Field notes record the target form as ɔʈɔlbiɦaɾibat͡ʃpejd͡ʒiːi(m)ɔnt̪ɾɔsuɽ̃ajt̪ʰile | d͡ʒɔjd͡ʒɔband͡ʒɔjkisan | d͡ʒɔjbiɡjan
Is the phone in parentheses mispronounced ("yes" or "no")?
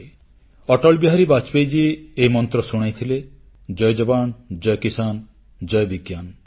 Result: no